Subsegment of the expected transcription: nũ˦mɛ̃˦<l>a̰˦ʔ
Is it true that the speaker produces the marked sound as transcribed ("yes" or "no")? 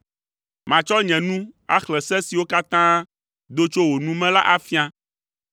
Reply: yes